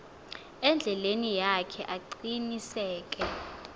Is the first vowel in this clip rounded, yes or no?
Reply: no